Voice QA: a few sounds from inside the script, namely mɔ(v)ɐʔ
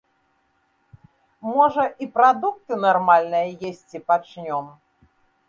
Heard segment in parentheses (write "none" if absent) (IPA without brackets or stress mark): ʐ